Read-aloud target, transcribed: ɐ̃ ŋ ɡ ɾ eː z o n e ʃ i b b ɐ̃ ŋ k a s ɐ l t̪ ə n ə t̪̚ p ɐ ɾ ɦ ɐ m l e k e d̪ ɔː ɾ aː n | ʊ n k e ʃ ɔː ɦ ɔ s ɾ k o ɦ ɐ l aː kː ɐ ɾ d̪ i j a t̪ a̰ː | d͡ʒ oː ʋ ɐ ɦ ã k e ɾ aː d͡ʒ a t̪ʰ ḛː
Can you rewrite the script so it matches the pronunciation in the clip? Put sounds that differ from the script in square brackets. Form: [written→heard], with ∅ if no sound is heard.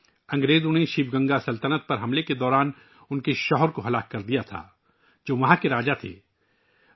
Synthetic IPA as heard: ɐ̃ ŋ ɡ ɾ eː z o n e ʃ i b [b→ɡ] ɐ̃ ŋ [k→ɡ] a s ɐ l t̪ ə n ə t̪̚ p ɐ ɾ ɦ ɐ m l e k e d̪ ɔː ɾ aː n | ʊ n k e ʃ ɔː ɦ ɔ [s→∅] ɾ k o ɦ ɐ l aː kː ɐ ɾ d̪ i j a [t̪→t̪ʰ] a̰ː | d͡ʒ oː ʋ ɐ ɦ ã k e ɾ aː d͡ʒ a t̪ʰ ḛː

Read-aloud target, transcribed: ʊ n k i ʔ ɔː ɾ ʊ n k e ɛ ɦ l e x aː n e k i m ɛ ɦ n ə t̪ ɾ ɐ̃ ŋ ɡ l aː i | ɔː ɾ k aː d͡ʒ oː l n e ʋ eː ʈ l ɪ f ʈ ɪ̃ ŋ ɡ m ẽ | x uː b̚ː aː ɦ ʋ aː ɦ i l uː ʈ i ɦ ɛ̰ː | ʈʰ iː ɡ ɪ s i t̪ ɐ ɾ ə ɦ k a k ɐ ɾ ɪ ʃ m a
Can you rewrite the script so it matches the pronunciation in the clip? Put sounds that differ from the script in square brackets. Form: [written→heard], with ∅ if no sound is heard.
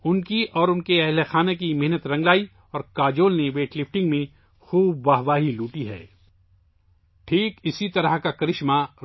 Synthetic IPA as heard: ʊ n k i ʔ ɔː ɾ ʊ n k e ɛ ɦ l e x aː n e k i m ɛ ɦ n ə t̪ ɾ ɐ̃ ŋ ɡ l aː i | ɔː ɾ k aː d͡ʒ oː l n e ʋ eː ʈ l ɪ f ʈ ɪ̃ ŋ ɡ m ẽ | x uː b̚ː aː ɦ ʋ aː ɦ i l uː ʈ i ɦ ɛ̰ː | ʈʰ iː [ɡ→k] ɪ s i t̪ ɐ ɾ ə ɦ k a k ɐ ɾ ɪ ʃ m a

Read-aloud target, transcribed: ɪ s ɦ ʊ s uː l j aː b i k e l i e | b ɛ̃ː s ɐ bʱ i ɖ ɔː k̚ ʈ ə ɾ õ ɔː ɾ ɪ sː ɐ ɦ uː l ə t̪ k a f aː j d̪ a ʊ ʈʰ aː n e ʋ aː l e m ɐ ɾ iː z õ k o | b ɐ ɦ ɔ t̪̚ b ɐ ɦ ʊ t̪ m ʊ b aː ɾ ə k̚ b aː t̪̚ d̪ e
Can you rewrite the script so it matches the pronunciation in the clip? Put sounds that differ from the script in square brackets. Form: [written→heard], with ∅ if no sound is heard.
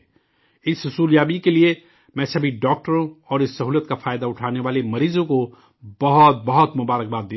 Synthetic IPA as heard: ɪ s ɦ ʊ s uː l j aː b i k e l i e | [b→m] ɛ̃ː s ɐ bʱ i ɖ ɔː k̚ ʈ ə ɾ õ ɔː ɾ ɪ sː ɐ ɦ uː l ə t̪ k a f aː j d̪ a ʊ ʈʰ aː n e ʋ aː l e m ɐ ɾ iː z õ k o | b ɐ ɦ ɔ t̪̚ b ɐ ɦ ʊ t̪ m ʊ b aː ɾ ə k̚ b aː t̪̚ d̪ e

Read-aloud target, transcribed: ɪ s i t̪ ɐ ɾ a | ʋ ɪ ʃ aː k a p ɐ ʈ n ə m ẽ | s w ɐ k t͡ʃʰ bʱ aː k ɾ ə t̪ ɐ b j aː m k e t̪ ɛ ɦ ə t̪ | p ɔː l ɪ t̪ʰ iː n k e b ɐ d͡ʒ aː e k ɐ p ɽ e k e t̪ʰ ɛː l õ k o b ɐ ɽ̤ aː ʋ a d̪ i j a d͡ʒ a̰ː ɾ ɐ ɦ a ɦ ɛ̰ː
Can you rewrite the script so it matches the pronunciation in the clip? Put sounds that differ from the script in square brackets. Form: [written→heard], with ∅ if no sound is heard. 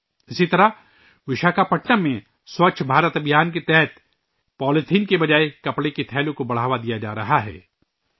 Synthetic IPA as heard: ɪ s i t̪ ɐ ɾ a | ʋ ɪ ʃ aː k a p ɐ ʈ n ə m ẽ | s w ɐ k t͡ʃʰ bʱ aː [k→∅] ɾ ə t̪ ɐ b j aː [m→n] k e t̪ ɛ ɦ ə t̪ | p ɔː l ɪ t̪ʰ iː n k e b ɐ d͡ʒ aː e k ɐ p ɽ e k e t̪ʰ ɛː l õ k o b ɐ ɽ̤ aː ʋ a d̪ i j a d͡ʒ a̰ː ɾ ɐ ɦ a ɦ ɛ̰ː

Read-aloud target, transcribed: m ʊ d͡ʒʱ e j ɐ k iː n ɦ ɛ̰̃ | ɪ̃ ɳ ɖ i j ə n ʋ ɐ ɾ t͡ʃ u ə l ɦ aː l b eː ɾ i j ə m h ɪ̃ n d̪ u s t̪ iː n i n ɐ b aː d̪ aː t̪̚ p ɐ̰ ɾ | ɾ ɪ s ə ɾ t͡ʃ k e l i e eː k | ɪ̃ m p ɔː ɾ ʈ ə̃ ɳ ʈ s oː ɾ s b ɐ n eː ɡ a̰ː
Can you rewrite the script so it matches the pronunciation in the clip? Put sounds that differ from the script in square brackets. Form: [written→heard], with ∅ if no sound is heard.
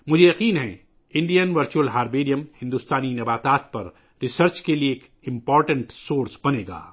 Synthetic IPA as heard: m ʊ d͡ʒʱ e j ɐ [k→q] iː n ɦ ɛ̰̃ | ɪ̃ ɳ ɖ i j ə n ʋ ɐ ɾ t͡ʃ u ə l ɦ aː [l→ɾ] b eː ɾ i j ə m h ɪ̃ n d̪ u s t̪ [iː→aː] n i n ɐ b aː [d̪→t̪] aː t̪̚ p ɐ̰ ɾ | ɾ ɪ s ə ɾ t͡ʃ k e l i e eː k | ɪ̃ m p ɔː ɾ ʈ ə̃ ɳ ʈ s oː ɾ s b ɐ n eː ɡ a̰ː

